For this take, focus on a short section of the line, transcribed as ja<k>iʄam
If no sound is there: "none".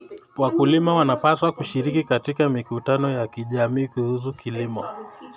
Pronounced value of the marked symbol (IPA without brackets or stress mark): k